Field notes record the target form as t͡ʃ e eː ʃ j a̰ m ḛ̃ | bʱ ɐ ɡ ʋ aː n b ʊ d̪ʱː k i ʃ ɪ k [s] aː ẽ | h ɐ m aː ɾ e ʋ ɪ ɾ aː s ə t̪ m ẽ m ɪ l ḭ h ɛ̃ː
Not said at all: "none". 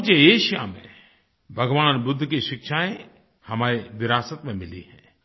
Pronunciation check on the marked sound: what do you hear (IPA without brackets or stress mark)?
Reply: ʃ